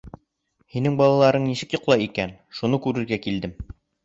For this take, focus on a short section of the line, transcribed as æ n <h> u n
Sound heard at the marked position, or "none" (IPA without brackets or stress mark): ʃ